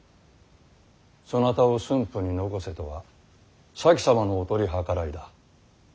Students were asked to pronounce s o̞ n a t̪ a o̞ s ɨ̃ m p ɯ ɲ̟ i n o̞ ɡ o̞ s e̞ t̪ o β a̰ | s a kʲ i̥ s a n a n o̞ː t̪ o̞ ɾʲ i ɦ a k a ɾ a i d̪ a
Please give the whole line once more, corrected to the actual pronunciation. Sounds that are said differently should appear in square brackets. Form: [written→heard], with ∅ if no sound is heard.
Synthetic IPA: s o̞ n a t̪ a o̞ s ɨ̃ m p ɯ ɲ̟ i n o̞ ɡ o̞ s e̞ t̪ o β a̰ | s a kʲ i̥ s a [n→m] a n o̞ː t̪ o̞ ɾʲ i ɦ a k a ɾ a i d̪ a